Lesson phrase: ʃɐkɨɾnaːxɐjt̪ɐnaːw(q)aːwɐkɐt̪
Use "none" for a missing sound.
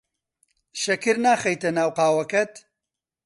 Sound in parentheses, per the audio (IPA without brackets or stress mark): q